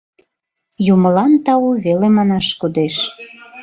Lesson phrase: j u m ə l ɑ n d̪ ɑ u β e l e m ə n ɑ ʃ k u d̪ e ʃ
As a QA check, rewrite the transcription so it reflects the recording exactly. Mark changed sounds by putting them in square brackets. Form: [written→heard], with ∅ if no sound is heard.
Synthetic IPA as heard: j u m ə l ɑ n [d̪→t̪] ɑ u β e l e m [ə→ɑ] n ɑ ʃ k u d̪ e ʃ